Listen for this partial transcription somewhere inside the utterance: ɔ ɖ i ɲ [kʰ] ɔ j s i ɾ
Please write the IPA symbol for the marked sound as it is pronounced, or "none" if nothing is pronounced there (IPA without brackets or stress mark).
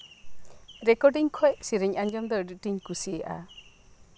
kʰ